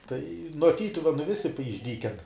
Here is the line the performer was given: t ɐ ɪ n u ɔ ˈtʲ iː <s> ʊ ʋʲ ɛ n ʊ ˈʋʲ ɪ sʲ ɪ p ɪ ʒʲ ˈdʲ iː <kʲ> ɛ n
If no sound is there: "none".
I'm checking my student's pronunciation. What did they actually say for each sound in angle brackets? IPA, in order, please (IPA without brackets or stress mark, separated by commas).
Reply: t, kʲ